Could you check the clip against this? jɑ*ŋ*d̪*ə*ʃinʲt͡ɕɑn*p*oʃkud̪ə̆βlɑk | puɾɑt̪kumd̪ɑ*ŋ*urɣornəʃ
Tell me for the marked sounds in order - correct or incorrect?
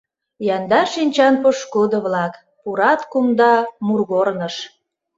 incorrect, incorrect, correct, incorrect

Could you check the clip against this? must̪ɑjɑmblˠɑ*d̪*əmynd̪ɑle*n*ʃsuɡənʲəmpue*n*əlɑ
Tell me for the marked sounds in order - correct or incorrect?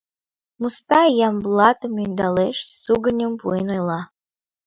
incorrect, incorrect, correct

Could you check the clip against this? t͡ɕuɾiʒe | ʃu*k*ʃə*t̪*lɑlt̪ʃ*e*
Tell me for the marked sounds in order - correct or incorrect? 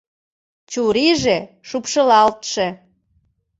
incorrect, incorrect, correct

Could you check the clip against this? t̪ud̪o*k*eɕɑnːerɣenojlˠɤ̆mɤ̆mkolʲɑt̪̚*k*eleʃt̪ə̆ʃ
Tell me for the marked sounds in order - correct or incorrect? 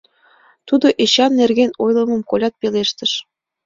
incorrect, incorrect

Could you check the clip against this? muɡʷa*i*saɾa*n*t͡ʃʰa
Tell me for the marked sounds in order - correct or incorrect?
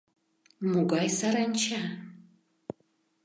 incorrect, correct

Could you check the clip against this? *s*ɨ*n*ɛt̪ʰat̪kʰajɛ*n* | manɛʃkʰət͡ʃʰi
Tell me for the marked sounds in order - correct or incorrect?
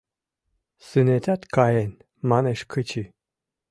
correct, correct, correct

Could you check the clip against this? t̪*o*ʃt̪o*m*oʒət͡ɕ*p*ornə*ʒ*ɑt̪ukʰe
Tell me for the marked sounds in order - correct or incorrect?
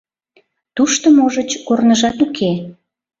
incorrect, correct, incorrect, correct

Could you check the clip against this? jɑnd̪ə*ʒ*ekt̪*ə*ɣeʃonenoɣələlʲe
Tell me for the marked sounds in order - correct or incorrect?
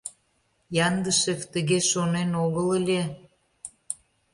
incorrect, correct

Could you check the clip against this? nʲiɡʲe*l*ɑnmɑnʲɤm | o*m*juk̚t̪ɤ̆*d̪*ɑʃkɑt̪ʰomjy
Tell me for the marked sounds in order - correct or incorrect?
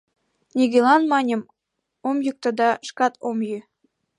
correct, correct, correct

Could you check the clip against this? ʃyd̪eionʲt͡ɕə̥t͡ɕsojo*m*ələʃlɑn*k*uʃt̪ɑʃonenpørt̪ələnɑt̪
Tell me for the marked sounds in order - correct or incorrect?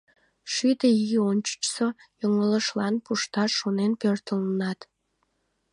incorrect, incorrect

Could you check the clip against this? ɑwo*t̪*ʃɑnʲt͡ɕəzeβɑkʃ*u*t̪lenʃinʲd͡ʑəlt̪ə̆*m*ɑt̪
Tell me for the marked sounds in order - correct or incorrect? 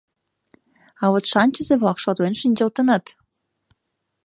correct, incorrect, incorrect

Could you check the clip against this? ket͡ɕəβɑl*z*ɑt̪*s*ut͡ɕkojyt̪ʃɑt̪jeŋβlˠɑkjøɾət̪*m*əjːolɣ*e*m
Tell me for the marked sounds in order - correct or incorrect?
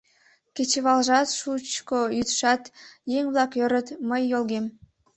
incorrect, incorrect, correct, correct

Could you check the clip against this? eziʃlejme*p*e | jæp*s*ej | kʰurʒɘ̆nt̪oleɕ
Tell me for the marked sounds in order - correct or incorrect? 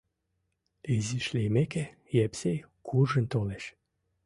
incorrect, correct

